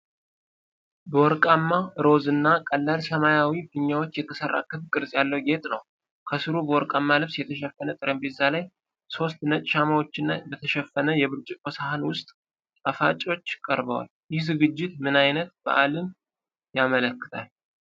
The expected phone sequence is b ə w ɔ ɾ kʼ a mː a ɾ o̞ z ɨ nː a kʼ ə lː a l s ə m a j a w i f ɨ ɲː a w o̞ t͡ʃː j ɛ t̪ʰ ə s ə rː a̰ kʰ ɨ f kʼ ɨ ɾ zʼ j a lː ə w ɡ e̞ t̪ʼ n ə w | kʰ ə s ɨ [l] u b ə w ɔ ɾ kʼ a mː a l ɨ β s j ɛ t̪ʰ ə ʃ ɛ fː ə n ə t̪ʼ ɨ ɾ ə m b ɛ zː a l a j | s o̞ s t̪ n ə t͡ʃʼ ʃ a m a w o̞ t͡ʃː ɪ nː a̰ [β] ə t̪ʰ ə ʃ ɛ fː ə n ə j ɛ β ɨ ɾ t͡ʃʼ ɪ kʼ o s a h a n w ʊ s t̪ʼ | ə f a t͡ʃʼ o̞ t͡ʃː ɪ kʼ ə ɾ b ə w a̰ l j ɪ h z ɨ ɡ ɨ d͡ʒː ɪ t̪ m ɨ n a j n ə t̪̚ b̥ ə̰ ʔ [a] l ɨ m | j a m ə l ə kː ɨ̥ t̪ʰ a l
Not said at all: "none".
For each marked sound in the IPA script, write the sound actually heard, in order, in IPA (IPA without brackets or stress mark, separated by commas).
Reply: ɾ, b, a